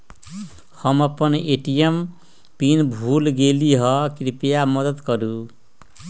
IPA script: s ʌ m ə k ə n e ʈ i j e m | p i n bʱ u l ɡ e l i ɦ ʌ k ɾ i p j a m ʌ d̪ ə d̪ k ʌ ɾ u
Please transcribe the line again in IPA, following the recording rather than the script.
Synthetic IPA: h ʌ m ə p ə n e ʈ i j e m | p i n bʱ u l ɡ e l i ɦ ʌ k ɾ i p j a m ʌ d̪ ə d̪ k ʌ ɾ u

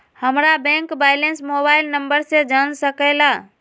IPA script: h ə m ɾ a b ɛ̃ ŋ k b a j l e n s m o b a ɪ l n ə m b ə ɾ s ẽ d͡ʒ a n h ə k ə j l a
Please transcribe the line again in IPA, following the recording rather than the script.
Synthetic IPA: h ə m ɾ a b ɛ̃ ŋ k b a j l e n s m o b a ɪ l n ə m b ə ɾ s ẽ d͡ʒ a n s ə k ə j l a

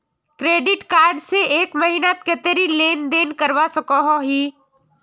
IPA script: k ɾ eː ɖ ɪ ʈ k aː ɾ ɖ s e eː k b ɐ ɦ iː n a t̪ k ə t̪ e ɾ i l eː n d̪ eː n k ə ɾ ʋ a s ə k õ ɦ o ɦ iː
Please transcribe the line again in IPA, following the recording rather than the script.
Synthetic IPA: k ɾ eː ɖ ɪ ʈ k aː ɾ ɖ s e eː k m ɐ ɦ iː n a t̪ k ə t̪ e ɾ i l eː n d̪ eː n k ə ɾ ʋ a s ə k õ ɦ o ɦ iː

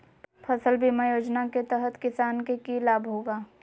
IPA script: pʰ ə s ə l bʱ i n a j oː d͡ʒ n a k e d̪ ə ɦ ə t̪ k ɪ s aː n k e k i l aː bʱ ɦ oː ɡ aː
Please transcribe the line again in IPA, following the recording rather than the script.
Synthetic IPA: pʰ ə s ə l bʱ i m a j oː d͡ʒ n a k e t̪ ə ɦ ə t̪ k ɪ s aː n k e k i l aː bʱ ɦ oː ɡ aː

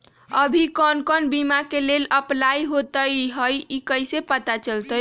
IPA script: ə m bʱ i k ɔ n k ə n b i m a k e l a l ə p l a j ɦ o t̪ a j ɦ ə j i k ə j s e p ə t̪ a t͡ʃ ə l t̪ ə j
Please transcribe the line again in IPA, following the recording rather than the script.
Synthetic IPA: ə bʱ i k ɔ n k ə n b i m a k e l e l ə p l a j ɦ o t̪ ə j ɦ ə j i k ə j s e p ə t̪ a t͡ʃ ə l t̪ ə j

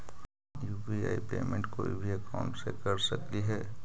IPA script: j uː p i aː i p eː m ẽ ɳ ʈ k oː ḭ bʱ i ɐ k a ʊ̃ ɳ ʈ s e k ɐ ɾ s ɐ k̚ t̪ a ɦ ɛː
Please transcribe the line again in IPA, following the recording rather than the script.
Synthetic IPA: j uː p i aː i p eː m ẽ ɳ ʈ k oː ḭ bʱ i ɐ k a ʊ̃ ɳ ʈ s e k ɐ ɾ s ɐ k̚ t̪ i ɦ ɛː

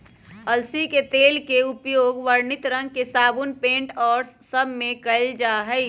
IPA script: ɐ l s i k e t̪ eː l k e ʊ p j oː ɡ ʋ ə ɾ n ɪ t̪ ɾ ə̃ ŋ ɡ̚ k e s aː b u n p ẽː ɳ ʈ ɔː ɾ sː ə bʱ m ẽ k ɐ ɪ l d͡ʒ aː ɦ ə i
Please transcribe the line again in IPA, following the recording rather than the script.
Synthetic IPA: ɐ l s i k e t̪ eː l k e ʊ p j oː ɡ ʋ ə ɾ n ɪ t̪ ɾ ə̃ ŋ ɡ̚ k e s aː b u n p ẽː ɳ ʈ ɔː ɾ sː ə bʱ m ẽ k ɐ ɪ l d͡ʒ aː ɦ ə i

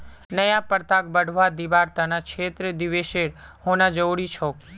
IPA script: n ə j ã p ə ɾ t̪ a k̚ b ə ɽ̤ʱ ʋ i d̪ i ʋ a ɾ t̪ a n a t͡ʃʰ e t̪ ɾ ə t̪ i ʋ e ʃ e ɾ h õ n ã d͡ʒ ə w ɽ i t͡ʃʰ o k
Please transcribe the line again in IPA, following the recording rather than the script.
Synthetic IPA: n ə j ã p ə ɾ t̪ a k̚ b ə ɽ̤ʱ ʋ a d̪ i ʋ a ɾ t̪ a n a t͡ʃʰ e t̪ ɾ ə d̪ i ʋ e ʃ e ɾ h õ n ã d͡ʒ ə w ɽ i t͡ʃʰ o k

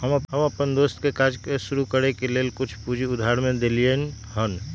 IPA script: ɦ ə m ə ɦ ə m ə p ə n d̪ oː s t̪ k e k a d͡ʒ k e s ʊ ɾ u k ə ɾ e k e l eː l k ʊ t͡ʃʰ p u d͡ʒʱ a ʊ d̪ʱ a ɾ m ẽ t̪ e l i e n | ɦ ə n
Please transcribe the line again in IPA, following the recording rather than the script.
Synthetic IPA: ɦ ə m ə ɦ ə m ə p ə n d̪ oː s t̪ k e k a d͡ʒ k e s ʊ ɾ u k ə ɾ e k e l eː l k ʊ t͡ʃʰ p u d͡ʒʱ i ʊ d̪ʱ a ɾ m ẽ d̪ e l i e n | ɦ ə n

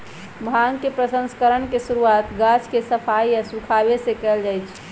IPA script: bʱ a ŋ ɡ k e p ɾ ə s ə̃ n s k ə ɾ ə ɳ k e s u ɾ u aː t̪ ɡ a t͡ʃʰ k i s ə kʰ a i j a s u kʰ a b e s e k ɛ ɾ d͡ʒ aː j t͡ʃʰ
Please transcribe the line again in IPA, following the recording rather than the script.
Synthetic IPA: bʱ a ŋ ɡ k e p ɾ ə s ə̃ n s k ə ɾ ə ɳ k e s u ɾ u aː t̪ ɡ a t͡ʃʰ k e s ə pʰ a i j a s u kʰ a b e s e k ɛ l d͡ʒ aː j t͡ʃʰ

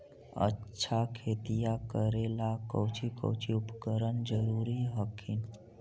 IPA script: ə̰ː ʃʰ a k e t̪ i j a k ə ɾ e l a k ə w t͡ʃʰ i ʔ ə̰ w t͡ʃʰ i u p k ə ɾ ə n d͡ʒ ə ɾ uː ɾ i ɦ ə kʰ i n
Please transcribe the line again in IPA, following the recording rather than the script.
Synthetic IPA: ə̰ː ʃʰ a kʰ e t̪ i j a k ə ɾ e l a k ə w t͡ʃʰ i k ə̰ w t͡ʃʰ i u p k ə ɾ ə n d͡ʒ ə ɾ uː ɾ i ɦ ə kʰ i n

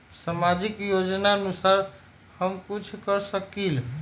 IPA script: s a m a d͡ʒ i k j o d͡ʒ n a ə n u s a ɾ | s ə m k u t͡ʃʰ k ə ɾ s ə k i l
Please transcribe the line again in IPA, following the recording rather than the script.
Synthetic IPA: s a m a d͡ʒ i k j o d͡ʒ n a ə n u s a ɾ | h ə m k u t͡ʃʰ k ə ɾ s ə k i l

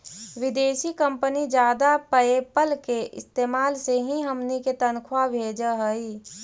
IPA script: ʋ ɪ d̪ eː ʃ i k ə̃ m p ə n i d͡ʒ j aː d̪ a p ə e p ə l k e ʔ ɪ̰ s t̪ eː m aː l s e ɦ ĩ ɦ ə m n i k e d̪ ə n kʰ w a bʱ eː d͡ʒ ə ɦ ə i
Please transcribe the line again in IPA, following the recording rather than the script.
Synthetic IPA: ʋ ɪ d̪ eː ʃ i k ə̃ m p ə n i d͡ʒ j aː d̪ a p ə e p ə l k e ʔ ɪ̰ s t̪ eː m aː l s e ɦ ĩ ɦ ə m n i k e t̪ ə n kʰ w a bʱ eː d͡ʒ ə ɦ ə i

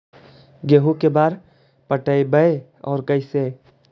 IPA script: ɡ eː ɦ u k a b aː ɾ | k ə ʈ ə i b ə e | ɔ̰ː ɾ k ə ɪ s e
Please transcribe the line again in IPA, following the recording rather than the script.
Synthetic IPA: ɡ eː ɦ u k e b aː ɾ | p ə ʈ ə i b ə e | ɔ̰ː ɾ k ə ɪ s e

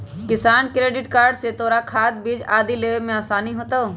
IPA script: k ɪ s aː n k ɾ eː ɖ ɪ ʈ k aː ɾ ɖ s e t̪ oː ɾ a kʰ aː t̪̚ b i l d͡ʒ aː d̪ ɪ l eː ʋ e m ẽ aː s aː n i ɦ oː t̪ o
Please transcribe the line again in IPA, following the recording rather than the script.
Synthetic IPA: k ɪ s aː n k ɾ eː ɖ ɪ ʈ k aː ɾ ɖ s e t̪ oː ɾ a kʰ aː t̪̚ b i d͡ʒ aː d̪ i l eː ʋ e m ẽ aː s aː n i ɦ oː t̪ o

